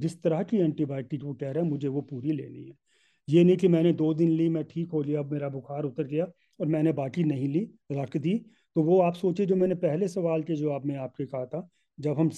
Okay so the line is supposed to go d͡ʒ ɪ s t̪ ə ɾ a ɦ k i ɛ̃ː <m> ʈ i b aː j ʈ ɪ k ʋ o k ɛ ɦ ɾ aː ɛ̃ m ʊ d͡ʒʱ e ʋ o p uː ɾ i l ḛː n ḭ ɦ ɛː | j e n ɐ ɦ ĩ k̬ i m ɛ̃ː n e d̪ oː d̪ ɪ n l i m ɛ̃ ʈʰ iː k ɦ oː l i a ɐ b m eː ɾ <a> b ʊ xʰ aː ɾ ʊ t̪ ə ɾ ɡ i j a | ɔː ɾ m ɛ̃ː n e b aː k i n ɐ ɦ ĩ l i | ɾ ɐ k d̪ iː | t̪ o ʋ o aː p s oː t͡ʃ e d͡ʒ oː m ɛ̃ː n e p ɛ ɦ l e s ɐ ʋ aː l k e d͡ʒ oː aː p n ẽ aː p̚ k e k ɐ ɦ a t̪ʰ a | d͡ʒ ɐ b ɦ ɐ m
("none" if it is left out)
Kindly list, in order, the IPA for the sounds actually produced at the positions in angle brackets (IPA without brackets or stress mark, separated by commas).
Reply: ɳ, a